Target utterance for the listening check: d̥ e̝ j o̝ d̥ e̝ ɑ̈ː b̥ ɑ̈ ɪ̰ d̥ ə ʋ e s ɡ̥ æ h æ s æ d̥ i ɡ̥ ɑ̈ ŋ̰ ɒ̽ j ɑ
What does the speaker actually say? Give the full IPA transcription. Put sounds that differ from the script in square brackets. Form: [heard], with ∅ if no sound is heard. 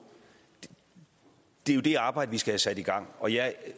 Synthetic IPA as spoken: d̥ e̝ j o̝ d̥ e̝ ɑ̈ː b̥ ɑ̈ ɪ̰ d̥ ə ʋ [i] s ɡ̥ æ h æ s æ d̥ i ɡ̥ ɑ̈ ŋ̰ ɒ̽ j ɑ